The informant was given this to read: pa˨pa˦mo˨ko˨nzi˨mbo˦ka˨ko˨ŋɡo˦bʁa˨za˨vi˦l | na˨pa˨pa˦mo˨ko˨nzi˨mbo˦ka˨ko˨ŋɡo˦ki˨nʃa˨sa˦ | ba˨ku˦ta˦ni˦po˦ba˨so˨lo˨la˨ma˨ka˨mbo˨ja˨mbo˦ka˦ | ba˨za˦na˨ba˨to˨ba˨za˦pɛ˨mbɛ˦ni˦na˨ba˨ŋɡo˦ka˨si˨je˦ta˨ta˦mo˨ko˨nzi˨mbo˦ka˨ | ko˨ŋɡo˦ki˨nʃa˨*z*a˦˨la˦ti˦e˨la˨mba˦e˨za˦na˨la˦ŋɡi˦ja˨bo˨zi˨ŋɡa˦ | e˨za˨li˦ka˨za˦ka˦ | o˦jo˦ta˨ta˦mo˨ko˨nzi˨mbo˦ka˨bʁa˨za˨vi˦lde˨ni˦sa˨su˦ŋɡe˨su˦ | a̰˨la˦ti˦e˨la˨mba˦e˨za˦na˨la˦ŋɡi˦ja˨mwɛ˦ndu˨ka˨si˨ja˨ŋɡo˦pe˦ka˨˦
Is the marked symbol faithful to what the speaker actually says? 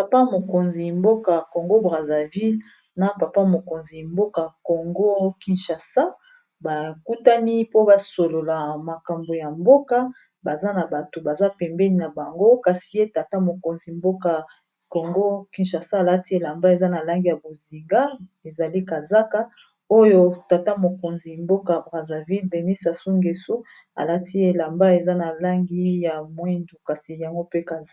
no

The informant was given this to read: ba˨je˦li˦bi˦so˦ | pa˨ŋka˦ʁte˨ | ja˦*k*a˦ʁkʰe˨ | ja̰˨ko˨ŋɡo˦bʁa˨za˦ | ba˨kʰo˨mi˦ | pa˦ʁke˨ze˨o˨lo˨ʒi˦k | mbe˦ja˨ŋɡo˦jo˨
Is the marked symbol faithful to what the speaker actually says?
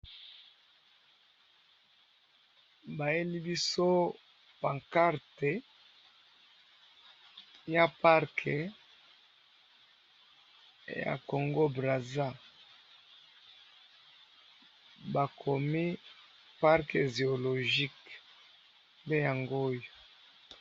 no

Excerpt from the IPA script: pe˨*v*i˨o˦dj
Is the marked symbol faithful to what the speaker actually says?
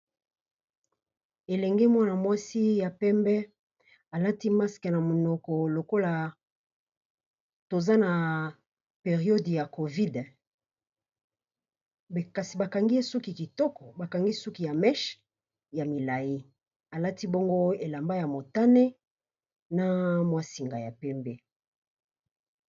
no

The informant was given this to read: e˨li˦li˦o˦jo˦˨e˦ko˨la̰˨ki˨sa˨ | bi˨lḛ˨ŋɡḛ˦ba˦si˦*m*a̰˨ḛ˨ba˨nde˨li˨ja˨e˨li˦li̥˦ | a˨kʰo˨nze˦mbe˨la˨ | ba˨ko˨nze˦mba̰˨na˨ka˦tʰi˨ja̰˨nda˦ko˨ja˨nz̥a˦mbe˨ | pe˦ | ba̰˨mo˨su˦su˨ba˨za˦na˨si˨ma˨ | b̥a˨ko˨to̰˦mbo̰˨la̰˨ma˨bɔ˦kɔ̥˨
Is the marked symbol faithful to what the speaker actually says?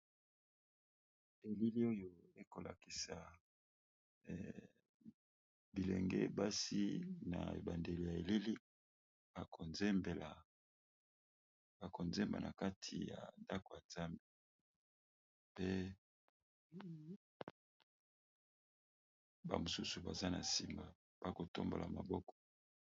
no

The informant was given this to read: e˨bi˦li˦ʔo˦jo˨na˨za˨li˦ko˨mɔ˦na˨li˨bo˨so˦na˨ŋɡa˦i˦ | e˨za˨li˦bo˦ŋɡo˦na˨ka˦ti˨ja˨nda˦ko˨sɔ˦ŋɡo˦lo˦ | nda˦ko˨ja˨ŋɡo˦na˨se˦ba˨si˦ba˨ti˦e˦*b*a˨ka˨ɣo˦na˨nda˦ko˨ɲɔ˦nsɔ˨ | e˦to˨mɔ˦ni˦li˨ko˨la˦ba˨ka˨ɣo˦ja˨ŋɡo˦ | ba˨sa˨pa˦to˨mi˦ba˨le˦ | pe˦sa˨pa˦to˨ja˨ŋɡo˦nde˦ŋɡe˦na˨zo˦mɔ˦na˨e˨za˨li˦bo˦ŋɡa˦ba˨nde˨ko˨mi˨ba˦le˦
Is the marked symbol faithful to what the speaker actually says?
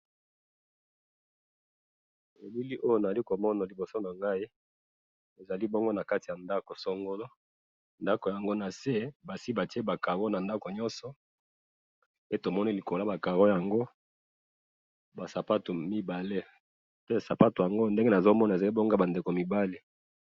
yes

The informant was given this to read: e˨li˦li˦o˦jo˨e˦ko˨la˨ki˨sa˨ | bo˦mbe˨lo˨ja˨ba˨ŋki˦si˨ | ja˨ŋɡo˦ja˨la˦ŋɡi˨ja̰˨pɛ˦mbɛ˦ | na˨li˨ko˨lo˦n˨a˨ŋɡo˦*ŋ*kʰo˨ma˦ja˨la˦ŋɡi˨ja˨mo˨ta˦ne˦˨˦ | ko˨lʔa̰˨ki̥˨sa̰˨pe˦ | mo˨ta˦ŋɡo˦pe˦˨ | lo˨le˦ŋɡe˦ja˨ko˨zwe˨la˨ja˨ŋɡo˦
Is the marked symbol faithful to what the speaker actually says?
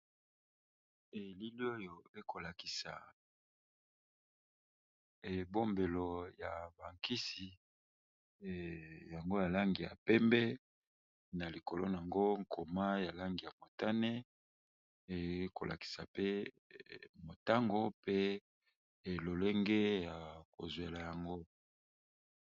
yes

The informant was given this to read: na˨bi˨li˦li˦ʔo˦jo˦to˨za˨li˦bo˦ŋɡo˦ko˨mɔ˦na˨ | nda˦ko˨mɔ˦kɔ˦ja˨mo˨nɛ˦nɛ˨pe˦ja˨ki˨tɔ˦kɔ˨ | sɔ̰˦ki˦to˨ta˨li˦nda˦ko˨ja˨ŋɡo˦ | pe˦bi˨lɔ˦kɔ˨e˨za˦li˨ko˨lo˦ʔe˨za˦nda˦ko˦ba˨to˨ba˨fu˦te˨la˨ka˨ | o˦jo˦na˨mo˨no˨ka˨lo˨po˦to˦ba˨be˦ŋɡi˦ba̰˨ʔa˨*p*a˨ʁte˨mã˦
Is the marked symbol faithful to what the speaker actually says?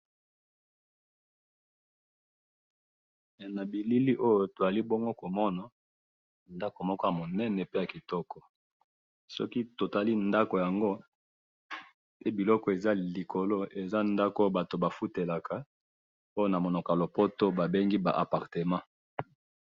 yes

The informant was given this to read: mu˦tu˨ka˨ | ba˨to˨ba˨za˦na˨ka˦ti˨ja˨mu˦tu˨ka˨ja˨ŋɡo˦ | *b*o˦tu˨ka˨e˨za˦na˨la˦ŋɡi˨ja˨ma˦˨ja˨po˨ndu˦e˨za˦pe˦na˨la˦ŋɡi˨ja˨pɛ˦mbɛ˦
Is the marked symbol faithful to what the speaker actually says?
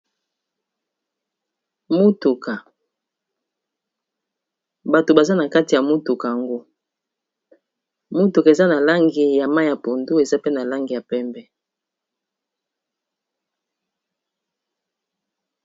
no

